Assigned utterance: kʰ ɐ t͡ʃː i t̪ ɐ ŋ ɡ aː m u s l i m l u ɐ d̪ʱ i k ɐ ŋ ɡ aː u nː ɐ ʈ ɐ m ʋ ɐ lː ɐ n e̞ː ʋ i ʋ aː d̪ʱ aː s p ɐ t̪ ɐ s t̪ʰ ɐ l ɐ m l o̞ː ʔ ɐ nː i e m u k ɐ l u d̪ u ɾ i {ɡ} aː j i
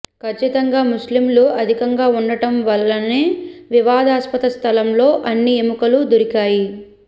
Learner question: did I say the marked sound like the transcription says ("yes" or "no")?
no